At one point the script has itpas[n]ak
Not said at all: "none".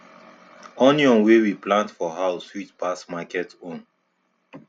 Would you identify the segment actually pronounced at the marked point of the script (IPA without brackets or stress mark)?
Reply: m